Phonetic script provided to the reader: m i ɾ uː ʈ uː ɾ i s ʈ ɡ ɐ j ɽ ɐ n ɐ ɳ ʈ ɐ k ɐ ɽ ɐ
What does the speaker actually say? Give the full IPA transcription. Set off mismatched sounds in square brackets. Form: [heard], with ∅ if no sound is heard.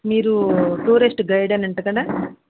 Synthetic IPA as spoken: m [iː] ɾ [u] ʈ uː ɾ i s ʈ ɡ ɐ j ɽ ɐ n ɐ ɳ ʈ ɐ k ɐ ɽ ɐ